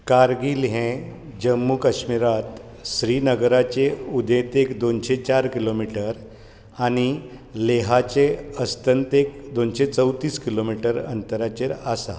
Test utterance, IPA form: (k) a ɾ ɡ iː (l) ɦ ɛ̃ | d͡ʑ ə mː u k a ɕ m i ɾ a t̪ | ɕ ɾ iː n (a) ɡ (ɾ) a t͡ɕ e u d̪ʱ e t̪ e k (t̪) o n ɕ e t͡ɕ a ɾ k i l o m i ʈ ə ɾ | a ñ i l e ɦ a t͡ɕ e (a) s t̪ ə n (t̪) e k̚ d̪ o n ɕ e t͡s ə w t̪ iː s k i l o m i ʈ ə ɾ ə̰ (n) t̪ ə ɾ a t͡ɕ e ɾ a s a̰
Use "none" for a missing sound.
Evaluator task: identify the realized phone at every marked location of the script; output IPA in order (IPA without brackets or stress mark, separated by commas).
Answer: k, l, ə, ɾ, d̪, ə, t̪, n